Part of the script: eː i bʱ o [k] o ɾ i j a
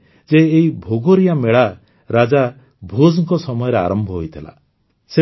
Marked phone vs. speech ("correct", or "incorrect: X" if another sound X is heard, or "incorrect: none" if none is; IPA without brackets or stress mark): incorrect: ɡ